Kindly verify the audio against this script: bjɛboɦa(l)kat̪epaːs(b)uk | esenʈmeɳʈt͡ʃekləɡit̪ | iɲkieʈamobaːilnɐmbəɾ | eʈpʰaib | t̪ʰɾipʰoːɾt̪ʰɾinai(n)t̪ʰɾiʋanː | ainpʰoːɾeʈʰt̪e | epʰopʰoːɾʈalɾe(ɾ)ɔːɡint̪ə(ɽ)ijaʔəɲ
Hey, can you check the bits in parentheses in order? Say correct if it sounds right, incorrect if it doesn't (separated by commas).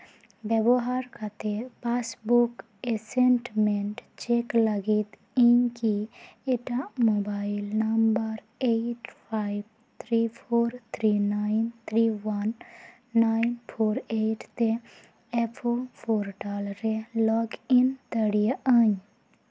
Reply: incorrect, correct, correct, incorrect, correct